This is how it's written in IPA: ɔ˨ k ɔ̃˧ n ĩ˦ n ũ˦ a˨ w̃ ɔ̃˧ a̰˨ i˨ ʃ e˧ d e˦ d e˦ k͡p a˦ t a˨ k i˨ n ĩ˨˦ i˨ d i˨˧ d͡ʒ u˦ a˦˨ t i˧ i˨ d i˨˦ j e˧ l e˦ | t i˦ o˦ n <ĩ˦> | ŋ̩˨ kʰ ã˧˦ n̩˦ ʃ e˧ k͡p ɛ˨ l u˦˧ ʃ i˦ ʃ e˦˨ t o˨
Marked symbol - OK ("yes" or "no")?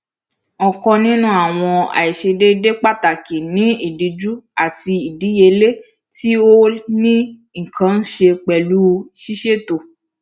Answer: yes